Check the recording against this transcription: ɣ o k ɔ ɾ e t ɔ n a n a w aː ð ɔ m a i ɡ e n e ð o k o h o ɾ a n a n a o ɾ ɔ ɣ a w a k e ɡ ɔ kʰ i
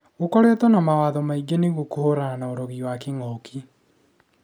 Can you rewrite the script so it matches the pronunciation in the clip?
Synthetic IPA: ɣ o k ɔ ɾ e t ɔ n a m a w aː ð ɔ m a i ɡ e n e ɣ o k o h o ɾ a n a n a o ɾ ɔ ɣ i w a k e ŋ ɔ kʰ i